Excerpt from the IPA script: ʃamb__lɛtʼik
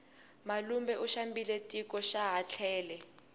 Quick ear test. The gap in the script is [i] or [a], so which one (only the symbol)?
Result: i